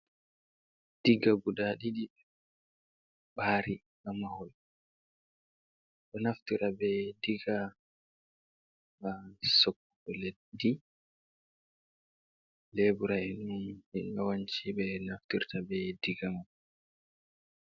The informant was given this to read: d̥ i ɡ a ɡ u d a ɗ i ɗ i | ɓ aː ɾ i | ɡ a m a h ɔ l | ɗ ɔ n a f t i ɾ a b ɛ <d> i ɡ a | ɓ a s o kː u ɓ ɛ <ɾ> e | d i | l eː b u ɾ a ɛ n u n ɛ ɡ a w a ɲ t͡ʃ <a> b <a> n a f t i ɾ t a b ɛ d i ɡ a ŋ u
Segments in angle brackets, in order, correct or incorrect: correct, incorrect: l, incorrect: i, incorrect: ɛ

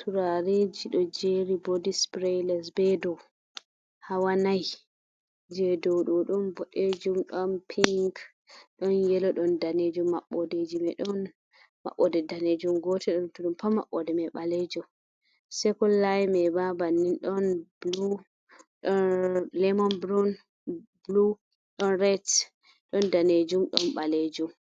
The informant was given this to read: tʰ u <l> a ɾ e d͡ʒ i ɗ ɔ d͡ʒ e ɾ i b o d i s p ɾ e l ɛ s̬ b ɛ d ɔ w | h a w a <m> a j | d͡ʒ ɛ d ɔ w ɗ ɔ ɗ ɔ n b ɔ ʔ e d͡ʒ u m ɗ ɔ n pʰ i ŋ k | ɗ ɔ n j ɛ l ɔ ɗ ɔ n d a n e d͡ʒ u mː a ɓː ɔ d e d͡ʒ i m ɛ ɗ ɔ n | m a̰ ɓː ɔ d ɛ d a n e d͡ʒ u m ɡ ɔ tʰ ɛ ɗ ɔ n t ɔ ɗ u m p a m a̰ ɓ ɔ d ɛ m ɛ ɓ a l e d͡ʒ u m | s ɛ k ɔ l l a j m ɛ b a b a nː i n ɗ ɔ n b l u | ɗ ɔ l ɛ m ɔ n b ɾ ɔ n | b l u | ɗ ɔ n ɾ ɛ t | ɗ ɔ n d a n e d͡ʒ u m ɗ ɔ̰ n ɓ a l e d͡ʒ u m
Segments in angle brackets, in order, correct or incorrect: incorrect: ɾ, incorrect: n

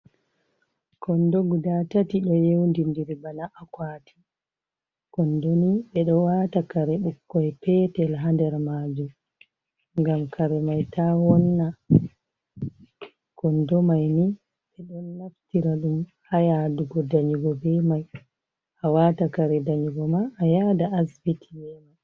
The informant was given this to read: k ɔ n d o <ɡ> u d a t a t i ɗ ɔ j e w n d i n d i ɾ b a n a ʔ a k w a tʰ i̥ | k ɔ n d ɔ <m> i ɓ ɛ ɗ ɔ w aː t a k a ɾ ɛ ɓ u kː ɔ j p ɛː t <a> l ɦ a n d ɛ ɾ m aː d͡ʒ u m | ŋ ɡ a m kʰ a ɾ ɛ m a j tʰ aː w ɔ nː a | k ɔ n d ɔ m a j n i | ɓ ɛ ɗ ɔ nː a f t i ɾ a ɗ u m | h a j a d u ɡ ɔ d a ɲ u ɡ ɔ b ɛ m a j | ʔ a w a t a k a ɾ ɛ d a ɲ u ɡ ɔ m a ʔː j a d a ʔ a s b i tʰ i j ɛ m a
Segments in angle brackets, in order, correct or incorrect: correct, incorrect: n, incorrect: ɛ

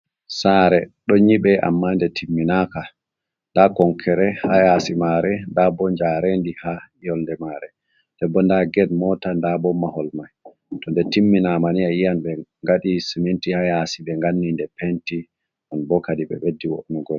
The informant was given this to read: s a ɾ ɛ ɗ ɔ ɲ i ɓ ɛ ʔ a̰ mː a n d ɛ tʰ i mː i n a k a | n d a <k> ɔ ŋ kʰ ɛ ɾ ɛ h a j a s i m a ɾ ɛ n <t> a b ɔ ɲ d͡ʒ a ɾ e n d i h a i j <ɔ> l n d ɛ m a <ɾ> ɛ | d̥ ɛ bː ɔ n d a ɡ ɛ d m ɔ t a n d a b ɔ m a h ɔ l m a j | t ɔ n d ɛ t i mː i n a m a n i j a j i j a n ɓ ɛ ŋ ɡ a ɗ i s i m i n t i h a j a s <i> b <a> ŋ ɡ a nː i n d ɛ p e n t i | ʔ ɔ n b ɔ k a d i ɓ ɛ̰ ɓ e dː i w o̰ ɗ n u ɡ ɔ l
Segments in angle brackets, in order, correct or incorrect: correct, incorrect: d, correct, correct, correct, incorrect: ɛ

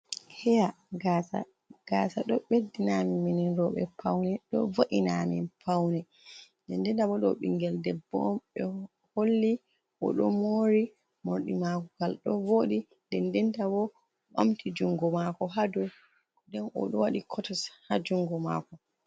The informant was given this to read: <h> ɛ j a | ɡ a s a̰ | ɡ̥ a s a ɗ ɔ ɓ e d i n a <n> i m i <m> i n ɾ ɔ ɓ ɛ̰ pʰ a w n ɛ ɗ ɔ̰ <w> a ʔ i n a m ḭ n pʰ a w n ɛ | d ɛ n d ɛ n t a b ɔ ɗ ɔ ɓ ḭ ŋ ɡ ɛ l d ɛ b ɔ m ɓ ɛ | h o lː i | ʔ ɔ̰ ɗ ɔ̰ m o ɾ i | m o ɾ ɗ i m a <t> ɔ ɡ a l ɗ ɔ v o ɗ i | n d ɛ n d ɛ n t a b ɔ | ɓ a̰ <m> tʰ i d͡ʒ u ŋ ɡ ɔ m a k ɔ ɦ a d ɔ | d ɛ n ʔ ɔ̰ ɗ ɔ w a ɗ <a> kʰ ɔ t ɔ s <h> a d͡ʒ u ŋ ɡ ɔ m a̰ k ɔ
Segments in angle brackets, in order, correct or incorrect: correct, incorrect: m, incorrect: n, incorrect: v, incorrect: k, correct, incorrect: i, correct

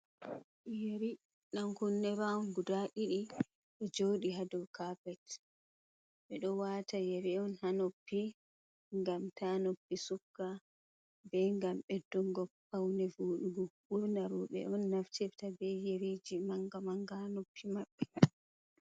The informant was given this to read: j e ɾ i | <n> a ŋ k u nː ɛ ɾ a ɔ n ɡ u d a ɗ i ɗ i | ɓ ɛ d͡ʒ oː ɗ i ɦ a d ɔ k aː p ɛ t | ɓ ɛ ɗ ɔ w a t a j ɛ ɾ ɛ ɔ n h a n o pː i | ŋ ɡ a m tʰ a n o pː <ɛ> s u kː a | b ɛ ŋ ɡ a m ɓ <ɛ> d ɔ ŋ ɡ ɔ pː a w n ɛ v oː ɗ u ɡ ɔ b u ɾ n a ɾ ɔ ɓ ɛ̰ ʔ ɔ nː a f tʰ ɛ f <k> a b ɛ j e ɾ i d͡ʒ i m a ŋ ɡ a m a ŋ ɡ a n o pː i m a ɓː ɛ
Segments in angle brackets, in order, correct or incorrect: correct, incorrect: i, correct, incorrect: t

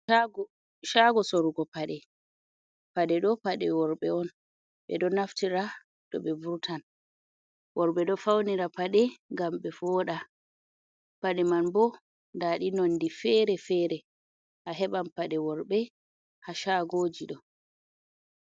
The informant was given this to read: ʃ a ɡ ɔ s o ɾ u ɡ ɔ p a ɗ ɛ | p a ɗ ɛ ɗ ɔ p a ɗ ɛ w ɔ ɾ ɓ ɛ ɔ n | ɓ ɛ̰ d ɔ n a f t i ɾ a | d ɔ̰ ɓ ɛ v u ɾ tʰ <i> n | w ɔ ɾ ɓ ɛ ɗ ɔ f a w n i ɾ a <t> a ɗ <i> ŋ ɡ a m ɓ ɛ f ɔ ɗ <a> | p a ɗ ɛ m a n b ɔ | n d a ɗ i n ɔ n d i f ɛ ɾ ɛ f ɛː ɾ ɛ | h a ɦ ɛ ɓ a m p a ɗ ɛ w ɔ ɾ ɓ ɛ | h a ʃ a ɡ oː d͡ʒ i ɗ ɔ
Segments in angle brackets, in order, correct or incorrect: incorrect: a, incorrect: p, incorrect: ɛ, correct

